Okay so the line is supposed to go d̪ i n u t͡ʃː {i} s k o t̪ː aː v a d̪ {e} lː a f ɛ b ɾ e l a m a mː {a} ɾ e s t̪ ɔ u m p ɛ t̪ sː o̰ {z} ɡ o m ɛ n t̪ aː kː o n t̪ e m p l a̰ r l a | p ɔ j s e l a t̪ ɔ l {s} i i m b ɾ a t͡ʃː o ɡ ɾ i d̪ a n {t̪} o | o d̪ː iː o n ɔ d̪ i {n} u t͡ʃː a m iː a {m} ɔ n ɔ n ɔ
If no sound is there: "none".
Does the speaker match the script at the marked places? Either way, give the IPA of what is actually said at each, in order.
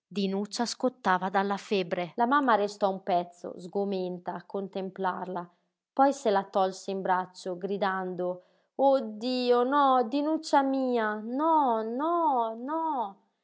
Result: a, a, a, z, s, d̪, n, n

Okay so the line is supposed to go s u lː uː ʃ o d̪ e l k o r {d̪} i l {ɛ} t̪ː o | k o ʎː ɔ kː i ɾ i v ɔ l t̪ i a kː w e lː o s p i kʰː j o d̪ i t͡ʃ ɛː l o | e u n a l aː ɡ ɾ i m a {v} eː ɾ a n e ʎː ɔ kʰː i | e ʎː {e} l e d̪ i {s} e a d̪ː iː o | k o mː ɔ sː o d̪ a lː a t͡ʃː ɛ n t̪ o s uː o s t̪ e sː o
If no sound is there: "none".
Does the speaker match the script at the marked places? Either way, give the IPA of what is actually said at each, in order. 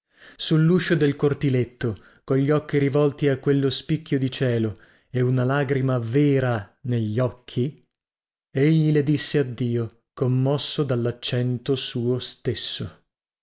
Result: t̪, e, v, i, sː

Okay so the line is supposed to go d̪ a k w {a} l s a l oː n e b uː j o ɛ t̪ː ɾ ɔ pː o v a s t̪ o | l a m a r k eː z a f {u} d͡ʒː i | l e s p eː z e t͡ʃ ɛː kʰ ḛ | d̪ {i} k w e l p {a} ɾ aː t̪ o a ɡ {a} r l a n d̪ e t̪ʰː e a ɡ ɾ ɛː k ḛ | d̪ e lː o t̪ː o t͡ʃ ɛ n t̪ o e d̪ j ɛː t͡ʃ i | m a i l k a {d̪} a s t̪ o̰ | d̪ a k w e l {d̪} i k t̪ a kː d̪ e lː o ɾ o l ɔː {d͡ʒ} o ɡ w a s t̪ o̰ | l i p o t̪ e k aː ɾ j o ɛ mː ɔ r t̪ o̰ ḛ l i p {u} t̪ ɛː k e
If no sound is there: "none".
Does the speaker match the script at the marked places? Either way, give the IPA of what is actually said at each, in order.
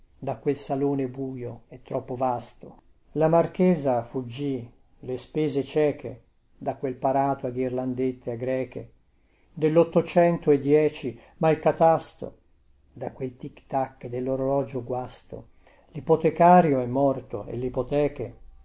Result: e, u, a, a, i, t̪, t̪, d͡ʒ, o

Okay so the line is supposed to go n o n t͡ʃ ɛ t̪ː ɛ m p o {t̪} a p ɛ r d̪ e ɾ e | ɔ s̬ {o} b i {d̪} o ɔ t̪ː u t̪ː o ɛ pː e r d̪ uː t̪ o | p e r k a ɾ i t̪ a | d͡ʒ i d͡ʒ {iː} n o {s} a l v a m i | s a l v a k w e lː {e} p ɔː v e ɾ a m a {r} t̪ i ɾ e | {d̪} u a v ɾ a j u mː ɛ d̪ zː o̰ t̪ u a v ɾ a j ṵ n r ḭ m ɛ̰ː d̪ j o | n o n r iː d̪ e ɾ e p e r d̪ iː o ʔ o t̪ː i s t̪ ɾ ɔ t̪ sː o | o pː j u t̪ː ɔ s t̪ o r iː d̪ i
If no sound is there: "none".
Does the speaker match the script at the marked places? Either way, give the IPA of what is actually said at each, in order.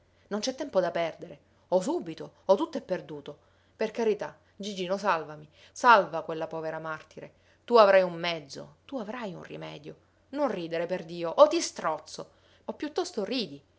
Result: d̪, u, t̪, iː, s, a, r, t̪

